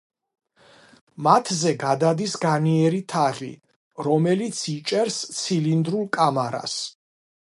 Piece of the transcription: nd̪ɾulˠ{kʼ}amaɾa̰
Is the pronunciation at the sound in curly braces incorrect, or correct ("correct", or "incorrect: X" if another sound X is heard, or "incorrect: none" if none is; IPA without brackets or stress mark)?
correct